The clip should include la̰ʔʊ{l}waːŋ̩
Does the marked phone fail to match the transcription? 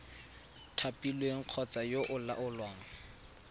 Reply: no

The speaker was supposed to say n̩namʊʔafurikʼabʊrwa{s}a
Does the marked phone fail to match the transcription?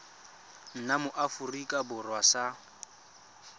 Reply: no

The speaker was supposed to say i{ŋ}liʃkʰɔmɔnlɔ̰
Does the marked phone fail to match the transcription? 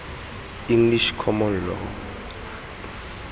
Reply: no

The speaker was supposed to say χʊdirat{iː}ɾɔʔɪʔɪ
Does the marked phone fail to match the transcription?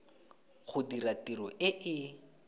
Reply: yes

